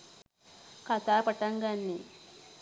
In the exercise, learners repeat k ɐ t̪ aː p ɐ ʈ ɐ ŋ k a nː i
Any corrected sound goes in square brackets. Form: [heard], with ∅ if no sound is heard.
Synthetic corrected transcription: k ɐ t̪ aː p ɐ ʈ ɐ ŋ [ɡ] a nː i

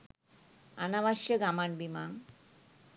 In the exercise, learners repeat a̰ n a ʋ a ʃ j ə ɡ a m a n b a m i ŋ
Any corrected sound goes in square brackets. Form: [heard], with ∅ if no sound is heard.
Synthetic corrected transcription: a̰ n a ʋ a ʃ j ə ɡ a m a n b [i] m [a] ŋ

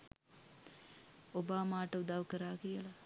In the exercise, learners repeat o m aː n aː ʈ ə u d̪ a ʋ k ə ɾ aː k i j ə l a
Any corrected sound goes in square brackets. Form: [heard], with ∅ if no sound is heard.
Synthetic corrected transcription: o [b] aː [m] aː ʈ ə u d̪ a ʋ k ə ɾ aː k i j ə l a

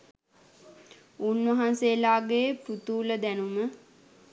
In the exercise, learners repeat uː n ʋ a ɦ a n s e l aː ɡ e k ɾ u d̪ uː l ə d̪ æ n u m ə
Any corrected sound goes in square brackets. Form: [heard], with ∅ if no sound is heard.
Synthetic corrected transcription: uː n ʋ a ɦ a n s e l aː ɡ e [p] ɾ u [t̪] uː l ə d̪ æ n u m ə

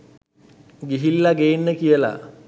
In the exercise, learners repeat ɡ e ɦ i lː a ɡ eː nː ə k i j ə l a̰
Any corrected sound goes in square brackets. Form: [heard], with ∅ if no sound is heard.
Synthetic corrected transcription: ɡ [i] ɦ i lː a ɡ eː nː ə k i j ə l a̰

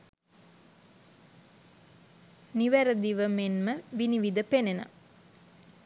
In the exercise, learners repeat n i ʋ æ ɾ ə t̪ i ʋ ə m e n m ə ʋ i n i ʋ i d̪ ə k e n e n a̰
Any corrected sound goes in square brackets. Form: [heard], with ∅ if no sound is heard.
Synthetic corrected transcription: n i ʋ æ ɾ ə [d̪] i ʋ ə m e n m ə ʋ i n i ʋ i d̪ ə [p] e n e n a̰

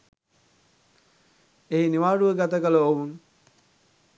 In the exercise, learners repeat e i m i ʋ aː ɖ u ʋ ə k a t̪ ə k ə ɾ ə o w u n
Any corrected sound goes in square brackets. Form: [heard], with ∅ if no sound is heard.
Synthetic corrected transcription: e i [n] i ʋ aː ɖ u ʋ ə [ɡ] a t̪ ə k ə [l] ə o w u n

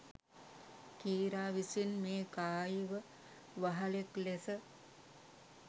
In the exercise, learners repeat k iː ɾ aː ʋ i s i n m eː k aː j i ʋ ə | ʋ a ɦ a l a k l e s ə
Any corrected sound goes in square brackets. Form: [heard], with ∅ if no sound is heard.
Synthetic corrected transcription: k iː ɾ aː ʋ i s i n m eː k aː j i ʋ ə | ʋ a ɦ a l [e] k l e s ə

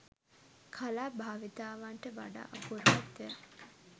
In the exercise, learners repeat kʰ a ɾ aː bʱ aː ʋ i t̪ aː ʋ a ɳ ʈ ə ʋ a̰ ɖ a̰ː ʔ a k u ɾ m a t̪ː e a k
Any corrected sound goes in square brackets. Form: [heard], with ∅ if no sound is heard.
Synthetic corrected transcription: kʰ a [l] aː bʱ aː ʋ i t̪ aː ʋ a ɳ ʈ ə ʋ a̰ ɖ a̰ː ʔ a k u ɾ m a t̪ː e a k

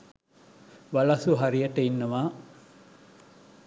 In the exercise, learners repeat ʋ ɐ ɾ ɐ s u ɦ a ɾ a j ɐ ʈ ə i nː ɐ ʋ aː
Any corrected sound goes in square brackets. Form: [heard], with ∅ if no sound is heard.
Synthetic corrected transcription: ʋ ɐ [l] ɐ s u ɦ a ɾ [i] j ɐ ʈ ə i nː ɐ ʋ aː

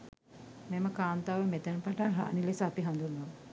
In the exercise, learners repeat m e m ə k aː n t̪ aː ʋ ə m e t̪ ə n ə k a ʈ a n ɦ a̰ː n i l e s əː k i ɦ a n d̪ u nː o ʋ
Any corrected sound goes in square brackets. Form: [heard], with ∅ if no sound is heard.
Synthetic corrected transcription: m e m ə k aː n t̪ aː ʋ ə m e t̪ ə n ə [p] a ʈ a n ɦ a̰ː n i l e s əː [p] i ɦ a n d̪ u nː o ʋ

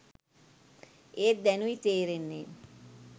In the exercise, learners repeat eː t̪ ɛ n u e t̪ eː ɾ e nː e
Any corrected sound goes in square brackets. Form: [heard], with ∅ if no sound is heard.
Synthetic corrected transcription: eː [d̪] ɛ n u [i] t̪ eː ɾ e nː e

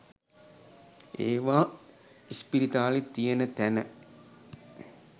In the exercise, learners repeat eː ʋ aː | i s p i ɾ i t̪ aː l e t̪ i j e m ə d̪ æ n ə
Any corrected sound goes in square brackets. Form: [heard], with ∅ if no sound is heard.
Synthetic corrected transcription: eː ʋ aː | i s p i ɾ i t̪ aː l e t̪ i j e [n] ə [t̪] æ n ə

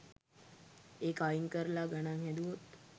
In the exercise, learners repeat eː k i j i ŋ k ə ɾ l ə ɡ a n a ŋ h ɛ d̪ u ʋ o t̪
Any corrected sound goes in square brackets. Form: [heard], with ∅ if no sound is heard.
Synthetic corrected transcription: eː k [a] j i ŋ k ə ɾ l [a] ɡ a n a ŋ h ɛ d̪ u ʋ o t̪

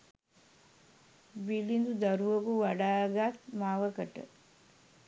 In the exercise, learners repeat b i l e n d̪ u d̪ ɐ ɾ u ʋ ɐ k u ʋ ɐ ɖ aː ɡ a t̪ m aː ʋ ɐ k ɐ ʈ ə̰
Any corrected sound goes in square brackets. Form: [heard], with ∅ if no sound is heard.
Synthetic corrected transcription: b i l [i] n d̪ u d̪ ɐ ɾ u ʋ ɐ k u ʋ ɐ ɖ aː ɡ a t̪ m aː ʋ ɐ k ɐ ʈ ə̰

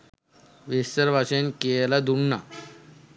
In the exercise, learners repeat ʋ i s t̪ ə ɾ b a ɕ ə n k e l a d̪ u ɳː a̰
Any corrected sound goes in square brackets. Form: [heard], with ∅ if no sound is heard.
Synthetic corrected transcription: ʋ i s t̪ ə ɾ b a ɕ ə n k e l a d̪ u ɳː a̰

